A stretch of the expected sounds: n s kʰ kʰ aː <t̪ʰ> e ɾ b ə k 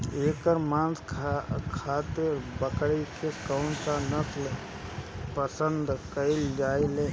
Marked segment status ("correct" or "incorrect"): incorrect